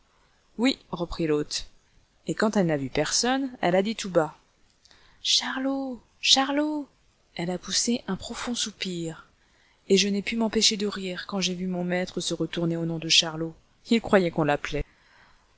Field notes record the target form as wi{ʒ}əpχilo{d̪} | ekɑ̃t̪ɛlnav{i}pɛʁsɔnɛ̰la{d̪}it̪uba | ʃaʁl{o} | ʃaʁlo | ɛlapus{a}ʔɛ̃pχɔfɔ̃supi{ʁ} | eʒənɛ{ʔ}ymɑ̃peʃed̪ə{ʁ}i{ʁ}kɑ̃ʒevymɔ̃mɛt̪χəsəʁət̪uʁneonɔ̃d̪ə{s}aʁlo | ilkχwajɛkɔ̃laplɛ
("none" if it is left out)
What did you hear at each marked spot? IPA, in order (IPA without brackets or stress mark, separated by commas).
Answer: ʁ, t̪, y, d̪, o, e, ʁ, p, ʁ, ʁ, ʃ